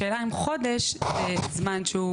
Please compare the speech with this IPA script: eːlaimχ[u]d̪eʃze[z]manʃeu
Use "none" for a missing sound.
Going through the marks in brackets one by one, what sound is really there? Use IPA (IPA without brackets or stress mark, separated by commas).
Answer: o, z